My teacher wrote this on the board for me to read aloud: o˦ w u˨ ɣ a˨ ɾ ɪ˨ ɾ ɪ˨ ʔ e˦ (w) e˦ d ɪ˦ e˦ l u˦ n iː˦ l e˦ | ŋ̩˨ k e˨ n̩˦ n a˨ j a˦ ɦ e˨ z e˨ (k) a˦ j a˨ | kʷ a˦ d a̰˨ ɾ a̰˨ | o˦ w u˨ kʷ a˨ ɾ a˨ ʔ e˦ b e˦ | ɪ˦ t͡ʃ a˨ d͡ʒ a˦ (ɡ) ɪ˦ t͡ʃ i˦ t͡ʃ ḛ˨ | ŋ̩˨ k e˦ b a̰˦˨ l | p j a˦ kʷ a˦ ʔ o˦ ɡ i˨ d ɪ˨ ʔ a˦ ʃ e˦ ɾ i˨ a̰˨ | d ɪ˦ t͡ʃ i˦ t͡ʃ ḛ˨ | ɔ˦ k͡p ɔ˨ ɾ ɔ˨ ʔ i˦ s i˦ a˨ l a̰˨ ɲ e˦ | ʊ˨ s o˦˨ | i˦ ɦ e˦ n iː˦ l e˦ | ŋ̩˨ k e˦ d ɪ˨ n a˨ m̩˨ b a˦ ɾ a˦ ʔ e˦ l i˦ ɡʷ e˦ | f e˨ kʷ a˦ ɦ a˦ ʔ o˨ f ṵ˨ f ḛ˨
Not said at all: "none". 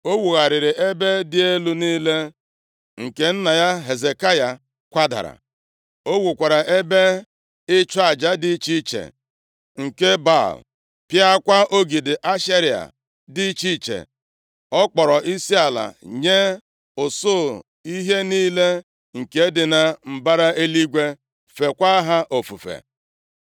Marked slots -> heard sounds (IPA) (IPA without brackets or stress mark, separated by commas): b, k, d